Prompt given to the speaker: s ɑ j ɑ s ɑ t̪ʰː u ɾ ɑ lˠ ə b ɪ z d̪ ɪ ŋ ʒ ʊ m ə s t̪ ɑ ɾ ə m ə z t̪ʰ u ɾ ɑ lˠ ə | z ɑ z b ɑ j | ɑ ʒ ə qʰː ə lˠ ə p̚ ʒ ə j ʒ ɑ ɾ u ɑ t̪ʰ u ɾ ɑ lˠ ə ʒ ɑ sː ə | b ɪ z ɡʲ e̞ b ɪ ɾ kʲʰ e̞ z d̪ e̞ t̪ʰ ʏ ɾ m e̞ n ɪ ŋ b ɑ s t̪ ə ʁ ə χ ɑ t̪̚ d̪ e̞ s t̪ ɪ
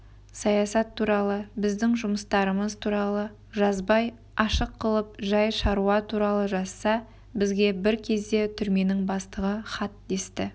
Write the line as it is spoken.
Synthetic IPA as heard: s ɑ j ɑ s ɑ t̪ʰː u ɾ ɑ lˠ ə b ɪ z d̪ ɪ ŋ ʒ ʊ m ə s t̪ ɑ ɾ ə m ə z t̪ʰ u ɾ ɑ lˠ ə | ʒ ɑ z b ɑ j | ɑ ʃ ə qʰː ə lˠ ə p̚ ʒ ɑ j ʃ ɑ ɾ u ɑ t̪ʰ u ɾ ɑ lˠ ə ʒ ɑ sː ɑ | b ɪ z ɡʲ e̞ b ɪ ɾ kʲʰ e̞ z d̪ e̞ t̪ʰ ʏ ɾ m e̞ n ɪ ŋ b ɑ s t̪ ə ʁ ə χ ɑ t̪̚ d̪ e̞ s t̪ ɪ